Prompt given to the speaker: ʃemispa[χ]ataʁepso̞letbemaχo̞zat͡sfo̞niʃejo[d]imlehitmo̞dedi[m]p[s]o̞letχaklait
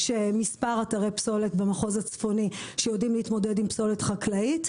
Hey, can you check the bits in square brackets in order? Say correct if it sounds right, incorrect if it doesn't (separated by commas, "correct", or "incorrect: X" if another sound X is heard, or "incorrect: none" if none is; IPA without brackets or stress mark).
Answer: incorrect: ʁ, correct, correct, correct